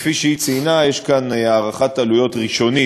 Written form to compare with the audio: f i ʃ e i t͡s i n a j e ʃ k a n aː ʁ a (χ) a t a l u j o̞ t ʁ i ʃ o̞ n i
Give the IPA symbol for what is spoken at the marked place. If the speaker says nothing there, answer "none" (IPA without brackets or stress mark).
χ